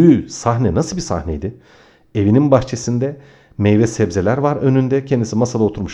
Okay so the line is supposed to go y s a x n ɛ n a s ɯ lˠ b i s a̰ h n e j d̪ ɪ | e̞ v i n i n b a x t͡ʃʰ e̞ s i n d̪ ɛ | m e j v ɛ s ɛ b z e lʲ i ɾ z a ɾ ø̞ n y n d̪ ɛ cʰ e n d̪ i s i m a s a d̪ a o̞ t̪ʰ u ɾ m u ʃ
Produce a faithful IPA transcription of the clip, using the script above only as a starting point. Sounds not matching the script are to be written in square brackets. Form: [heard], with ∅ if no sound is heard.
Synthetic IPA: y s a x n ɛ n a s ɯ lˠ b i s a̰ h n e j d̪ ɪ | e̞ v i n i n b a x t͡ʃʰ e̞ s i n d̪ ɛ | m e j v ɛ s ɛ b z e lʲ [æ] ɾ [v] a ɾ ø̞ n y n d̪ ɛ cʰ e n d̪ i s i m a s a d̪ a o̞ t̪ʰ u ɾ m u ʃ